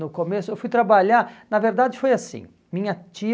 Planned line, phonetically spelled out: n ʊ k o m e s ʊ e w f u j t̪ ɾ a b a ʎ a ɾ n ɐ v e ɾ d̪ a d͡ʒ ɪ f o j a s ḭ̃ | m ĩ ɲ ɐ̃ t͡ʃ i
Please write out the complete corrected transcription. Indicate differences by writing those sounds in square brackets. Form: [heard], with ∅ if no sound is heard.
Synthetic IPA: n ʊ k o m e s ʊ e w f u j t̪ ɾ a b a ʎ a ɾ n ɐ v e ɾ d̪ a d͡ʒ ɪ f o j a s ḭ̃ | m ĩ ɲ [ɐ] t͡ʃ i